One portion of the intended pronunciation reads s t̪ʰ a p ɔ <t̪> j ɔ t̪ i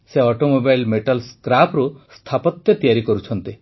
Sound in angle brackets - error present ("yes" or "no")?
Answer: no